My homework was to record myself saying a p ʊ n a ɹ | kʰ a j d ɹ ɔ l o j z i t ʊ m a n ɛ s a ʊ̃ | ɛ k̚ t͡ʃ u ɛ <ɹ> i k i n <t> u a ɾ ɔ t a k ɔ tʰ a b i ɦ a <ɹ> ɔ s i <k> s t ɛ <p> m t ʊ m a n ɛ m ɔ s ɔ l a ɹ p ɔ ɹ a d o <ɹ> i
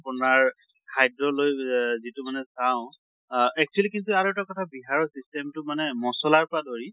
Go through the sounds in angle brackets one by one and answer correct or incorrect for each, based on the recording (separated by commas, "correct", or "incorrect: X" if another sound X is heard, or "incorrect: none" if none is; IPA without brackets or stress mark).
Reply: incorrect: l, correct, correct, incorrect: none, incorrect: none, correct